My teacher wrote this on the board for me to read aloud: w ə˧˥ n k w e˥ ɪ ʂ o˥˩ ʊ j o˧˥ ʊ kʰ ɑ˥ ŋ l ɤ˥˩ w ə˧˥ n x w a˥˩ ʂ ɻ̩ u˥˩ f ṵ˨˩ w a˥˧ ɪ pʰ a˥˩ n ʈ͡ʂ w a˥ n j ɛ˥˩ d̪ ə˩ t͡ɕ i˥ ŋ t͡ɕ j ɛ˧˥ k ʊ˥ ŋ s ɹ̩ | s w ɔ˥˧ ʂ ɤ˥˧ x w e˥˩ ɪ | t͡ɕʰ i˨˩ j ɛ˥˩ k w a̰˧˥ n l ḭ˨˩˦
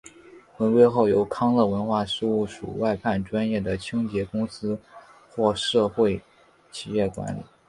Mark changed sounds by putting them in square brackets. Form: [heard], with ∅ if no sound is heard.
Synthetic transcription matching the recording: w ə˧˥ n k w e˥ ɪ [x] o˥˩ ʊ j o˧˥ ʊ kʰ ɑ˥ ŋ l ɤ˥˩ w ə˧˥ n x w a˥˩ ʂ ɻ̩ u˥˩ [ʂ] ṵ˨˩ w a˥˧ ɪ pʰ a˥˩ n ʈ͡ʂ w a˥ n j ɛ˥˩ d̪ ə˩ [t͡ɕʰ] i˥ ŋ t͡ɕ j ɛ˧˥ k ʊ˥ ŋ s ɹ̩ | [x] w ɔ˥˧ ʂ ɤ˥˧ x w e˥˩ ɪ | t͡ɕʰ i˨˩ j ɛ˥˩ k w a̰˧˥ n l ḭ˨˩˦